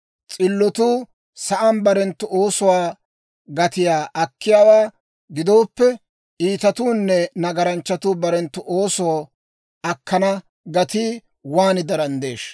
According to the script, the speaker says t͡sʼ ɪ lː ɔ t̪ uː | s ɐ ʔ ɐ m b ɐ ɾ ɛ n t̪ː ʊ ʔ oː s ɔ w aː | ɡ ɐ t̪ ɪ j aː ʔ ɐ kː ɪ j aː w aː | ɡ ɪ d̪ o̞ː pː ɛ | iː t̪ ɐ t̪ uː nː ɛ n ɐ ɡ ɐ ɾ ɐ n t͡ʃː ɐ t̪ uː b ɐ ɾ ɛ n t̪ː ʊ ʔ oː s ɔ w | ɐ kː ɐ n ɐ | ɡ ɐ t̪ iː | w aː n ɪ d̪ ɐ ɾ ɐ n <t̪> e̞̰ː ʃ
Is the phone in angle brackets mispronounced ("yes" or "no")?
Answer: yes